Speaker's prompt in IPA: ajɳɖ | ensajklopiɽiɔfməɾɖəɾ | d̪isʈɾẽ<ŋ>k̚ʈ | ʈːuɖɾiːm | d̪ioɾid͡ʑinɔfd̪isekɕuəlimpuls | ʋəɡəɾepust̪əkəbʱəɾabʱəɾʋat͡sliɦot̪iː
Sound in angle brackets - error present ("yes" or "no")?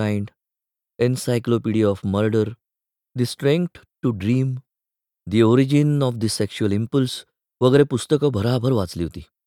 no